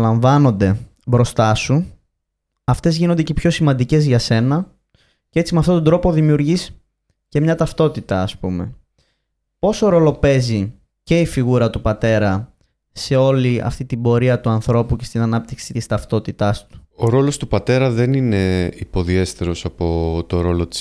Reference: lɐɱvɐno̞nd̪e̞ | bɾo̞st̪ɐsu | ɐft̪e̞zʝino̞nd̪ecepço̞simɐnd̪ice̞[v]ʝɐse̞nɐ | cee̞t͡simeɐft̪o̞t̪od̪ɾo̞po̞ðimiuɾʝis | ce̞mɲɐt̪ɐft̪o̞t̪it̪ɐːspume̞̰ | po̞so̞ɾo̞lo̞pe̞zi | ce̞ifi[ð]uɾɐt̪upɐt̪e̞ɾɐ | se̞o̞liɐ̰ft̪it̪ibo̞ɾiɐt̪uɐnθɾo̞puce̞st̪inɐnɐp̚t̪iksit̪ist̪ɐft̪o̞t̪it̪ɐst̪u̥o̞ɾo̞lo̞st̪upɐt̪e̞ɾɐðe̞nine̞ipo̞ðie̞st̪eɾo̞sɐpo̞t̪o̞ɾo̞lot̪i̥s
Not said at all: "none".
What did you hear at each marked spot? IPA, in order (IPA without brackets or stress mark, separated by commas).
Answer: z, ɣ